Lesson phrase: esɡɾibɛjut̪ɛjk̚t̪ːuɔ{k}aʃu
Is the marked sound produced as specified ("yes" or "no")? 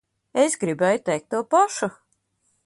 no